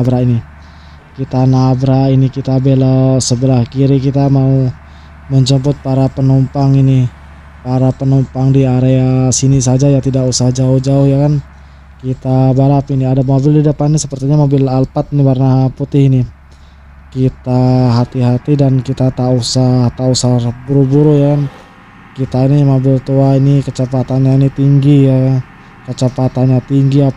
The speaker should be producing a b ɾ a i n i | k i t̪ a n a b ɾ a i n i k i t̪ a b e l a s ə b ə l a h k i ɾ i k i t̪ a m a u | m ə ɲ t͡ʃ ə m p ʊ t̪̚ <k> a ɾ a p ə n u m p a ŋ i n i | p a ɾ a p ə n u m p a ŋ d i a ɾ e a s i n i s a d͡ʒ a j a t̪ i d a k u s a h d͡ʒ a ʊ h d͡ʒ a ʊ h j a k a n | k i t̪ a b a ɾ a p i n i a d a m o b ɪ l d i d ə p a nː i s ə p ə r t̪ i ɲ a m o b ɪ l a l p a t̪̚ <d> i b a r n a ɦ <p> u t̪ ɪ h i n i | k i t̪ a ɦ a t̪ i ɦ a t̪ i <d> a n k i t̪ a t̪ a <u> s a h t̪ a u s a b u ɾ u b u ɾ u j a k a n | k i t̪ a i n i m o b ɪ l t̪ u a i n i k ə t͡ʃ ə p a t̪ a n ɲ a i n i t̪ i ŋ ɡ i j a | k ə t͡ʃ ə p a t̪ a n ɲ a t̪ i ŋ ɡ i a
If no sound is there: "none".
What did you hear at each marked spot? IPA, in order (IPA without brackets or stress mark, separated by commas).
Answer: p, n, p, d, u